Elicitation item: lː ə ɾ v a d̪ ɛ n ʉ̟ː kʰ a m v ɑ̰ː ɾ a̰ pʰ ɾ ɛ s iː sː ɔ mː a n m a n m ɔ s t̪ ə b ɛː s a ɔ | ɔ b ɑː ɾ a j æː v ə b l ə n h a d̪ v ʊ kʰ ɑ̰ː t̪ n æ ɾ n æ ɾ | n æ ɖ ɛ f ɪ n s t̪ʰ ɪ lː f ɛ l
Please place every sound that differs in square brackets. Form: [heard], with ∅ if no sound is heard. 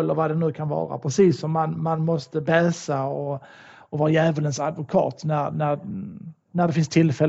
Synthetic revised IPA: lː ə ɾ v a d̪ ɛ n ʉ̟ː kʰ a [n] v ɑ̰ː ɾ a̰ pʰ ɾ ɛ s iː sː ɔ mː a n m a n m ɔ s t̪ ə b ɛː s a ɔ | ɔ [v] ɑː ɾ a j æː v ə [∅] l ə n [s] a d̪ v ʊ kʰ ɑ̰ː t̪ n æ ɾ n æ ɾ | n æ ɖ ɛ f ɪ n s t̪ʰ ɪ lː f ɛ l